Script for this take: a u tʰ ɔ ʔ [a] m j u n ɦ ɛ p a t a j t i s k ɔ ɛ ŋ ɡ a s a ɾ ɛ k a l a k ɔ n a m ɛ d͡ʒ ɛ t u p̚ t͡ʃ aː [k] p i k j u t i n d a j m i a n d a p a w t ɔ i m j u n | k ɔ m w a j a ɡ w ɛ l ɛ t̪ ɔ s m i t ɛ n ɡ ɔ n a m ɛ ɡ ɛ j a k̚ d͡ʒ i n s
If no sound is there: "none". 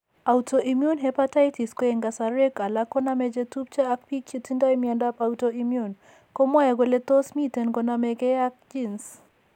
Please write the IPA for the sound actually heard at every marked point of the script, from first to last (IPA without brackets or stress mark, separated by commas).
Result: i, k